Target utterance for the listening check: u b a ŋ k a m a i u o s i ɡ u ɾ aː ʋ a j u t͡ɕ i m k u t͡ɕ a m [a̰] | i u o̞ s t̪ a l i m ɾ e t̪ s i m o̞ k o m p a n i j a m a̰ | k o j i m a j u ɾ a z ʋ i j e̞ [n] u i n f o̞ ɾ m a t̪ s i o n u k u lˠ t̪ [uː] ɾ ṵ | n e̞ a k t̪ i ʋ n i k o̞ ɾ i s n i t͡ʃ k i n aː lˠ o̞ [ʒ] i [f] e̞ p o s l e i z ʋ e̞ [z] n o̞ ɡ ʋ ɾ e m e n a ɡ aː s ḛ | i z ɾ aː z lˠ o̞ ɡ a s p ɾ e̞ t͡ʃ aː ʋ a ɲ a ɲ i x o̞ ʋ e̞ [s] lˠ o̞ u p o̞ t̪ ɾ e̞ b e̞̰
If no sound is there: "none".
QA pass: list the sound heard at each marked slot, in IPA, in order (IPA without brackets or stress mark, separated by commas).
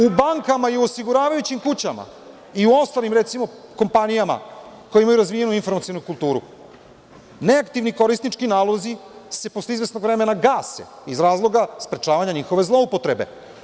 a̰, n, uː, z, s, s, z